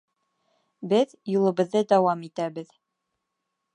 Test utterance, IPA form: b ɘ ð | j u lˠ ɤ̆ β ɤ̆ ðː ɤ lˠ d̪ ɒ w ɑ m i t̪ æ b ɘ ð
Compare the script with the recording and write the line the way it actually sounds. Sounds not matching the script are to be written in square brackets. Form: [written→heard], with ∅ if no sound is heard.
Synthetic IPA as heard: b ɘ ð | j u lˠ ɤ̆ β ɤ̆ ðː ɤ [lˠ→∅] d̪ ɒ w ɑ m i t̪ æ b ɘ ð

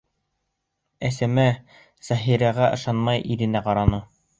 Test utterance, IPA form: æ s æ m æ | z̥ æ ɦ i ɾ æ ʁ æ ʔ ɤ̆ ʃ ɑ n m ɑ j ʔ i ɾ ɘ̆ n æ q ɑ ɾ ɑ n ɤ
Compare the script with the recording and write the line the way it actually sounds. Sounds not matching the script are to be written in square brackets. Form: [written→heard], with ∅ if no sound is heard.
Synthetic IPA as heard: æ s æ m æ | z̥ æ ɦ i ɾ æ ʁ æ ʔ ɤ̆ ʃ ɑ n m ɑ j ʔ i ɾ ɘ̆ n æ q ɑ ɾ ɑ n ɤ

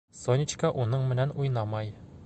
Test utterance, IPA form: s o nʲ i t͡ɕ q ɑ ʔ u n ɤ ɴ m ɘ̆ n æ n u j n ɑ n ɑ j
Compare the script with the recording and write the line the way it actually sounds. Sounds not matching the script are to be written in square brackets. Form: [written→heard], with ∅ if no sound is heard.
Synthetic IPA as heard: s o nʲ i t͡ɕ [q→k] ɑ ʔ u n ɤ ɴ m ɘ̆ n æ n u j n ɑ [n→m] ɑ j

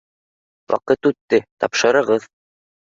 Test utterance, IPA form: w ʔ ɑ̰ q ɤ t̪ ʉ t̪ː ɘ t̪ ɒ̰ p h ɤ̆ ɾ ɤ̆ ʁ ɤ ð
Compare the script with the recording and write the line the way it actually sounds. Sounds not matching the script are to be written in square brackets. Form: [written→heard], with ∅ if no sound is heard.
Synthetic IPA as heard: w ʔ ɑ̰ q ɤ t̪ ʉ t̪ː ɘ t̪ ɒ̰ p [h→ʃ] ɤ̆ ɾ ɤ̆ ʁ ɤ ð

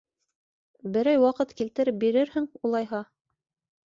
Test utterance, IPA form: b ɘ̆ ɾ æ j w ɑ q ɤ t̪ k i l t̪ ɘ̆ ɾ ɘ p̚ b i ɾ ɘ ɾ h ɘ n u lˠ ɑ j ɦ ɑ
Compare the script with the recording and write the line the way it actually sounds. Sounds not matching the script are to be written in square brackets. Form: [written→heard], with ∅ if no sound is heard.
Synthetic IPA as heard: b ɘ̆ ɾ æ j w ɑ q ɤ t̪ k i l t̪ ɘ̆ ɾ ɘ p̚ b i ɾ ɘ ɾ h ɘ [n→ŋ] u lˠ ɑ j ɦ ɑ

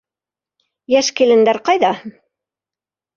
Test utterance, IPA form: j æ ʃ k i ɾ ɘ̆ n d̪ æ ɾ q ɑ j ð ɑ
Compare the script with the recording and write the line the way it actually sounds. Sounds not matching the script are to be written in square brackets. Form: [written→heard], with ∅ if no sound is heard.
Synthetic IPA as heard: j æ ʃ k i [ɾ→l] ɘ̆ n d̪ æ ɾ q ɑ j ð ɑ

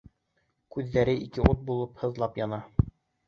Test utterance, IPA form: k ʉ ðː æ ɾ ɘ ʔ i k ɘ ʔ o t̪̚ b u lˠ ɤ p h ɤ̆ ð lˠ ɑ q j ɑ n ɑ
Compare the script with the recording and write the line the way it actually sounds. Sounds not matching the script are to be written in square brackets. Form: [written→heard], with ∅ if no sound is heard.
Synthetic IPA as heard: k ʉ ðː æ ɾ ɘ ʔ i k ɘ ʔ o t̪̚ b u lˠ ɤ p h ɤ̆ ð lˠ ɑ [q→p] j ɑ n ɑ

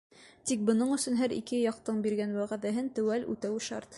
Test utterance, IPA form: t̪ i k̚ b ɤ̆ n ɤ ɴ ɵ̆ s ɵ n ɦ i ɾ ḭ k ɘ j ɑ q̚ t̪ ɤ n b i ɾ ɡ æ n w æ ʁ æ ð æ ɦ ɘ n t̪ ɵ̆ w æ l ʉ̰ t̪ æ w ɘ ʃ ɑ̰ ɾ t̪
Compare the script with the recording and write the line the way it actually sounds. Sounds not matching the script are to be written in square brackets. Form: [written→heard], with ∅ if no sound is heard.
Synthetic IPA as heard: t̪ i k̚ b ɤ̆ n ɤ ɴ ɵ̆ s ɵ n ɦ [i→æ] ɾ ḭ k ɘ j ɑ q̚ t̪ ɤ [n→ɴ] b i ɾ ɡ æ n w æ ʁ æ ð æ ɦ ɘ n t̪ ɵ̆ w æ l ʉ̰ t̪ æ w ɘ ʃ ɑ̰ ɾ t̪

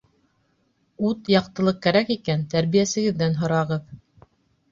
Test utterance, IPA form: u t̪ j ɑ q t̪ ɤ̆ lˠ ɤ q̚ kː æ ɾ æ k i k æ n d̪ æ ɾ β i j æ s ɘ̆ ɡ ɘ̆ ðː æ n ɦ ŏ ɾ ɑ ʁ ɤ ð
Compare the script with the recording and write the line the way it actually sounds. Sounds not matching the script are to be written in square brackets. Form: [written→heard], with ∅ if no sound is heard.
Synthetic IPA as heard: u t̪ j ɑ q t̪ ɤ̆ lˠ ɤ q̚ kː æ ɾ æ k i k æ n [d̪→t̪] æ ɾ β i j æ s ɘ̆ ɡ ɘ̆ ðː æ n ɦ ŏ ɾ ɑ ʁ ɤ ð

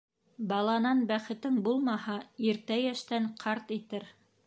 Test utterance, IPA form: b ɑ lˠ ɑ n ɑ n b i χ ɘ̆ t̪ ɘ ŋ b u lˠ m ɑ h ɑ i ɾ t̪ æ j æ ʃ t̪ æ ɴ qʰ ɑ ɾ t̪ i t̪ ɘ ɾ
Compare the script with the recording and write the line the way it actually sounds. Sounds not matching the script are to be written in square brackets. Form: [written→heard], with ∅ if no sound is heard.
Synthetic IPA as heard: b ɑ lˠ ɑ n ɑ n b [i→æ] χ ɘ̆ t̪ ɘ ŋ b u lˠ m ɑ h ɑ i ɾ t̪ æ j æ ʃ t̪ æ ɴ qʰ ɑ ɾ t̪ i t̪ ɘ ɾ

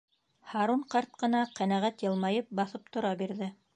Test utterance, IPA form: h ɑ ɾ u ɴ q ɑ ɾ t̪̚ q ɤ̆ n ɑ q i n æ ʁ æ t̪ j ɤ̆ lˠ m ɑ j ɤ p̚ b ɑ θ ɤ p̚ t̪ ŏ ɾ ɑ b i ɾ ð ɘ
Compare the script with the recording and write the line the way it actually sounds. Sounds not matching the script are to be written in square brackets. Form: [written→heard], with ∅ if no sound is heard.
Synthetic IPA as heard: h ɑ ɾ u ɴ q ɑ ɾ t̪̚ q ɤ̆ n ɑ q [i→æ] n æ ʁ æ t̪ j ɤ̆ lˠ m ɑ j ɤ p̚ b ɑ θ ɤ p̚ t̪ ŏ ɾ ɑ b i ɾ ð ɘ

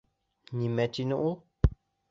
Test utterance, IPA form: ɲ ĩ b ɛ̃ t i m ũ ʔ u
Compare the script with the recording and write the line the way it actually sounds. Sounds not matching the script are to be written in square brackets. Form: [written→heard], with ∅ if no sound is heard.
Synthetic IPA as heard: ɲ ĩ [b→m] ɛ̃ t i [m→n] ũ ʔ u

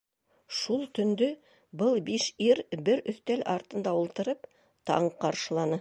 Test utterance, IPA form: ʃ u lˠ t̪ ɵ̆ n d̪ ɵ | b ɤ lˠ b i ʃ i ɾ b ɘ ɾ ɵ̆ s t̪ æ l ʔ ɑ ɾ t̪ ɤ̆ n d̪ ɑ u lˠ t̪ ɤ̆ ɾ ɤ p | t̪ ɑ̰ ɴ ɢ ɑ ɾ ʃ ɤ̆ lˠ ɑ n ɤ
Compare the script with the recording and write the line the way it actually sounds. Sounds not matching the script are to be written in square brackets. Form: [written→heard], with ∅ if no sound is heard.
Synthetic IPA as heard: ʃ u lˠ t̪ ɵ̆ n d̪ ɵ | b ɤ lˠ b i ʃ i ɾ b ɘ ɾ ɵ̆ [s→θ] t̪ æ l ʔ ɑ ɾ t̪ ɤ̆ n d̪ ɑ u lˠ t̪ ɤ̆ ɾ ɤ p | t̪ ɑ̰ ɴ [ɢ→q] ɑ ɾ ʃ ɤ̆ lˠ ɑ n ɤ

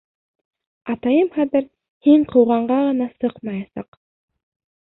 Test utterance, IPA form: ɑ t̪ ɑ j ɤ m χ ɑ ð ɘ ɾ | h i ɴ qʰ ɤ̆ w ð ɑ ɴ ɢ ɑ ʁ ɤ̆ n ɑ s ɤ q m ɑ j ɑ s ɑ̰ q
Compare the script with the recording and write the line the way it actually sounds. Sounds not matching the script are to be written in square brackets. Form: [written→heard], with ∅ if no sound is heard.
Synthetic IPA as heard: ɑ t̪ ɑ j ɤ m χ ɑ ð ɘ ɾ | h i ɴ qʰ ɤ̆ w [ð→ʁ] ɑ ɴ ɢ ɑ ʁ ɤ̆ n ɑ s ɤ q m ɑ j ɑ s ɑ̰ q

